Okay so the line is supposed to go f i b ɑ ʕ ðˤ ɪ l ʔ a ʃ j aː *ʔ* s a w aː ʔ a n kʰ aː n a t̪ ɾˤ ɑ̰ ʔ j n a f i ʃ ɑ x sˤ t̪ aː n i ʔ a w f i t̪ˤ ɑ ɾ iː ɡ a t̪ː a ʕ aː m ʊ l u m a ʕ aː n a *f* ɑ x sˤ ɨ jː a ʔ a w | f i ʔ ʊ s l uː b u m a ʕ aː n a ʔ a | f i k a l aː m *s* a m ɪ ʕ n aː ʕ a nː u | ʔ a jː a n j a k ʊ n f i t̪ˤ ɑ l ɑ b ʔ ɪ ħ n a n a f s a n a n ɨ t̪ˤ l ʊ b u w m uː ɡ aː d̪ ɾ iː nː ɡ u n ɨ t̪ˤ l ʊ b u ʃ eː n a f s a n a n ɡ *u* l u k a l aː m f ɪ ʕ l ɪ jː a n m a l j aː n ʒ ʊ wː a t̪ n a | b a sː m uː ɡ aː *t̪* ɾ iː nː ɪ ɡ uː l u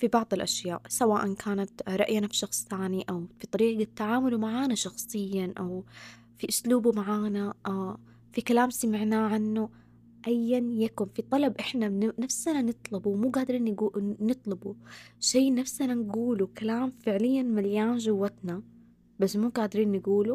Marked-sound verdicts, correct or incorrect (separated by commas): correct, incorrect, correct, incorrect, incorrect